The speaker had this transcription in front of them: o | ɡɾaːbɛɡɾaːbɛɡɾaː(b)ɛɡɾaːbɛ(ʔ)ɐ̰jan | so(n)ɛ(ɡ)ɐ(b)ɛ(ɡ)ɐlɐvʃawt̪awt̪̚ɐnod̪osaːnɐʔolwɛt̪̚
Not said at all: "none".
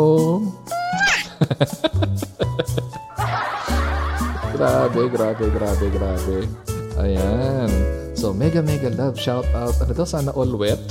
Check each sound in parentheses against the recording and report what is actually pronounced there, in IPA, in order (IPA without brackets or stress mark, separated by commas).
b, ʔ, m, ɡ, m, ɡ